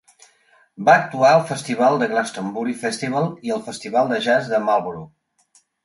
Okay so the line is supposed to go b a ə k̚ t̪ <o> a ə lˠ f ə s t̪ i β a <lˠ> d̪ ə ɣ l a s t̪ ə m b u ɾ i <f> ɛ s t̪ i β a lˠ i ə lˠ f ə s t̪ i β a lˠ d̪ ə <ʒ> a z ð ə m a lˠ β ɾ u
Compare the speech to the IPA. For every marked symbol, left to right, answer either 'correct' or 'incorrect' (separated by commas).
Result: incorrect, correct, correct, correct